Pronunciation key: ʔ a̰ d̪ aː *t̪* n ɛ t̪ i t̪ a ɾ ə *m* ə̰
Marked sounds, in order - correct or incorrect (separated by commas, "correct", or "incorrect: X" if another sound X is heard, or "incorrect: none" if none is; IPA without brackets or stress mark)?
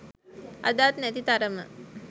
correct, correct